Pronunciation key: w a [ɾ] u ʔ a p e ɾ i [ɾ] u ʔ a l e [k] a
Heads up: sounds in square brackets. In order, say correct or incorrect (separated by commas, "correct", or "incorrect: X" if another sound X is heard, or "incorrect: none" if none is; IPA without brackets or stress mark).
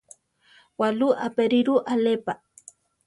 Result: incorrect: l, correct, incorrect: p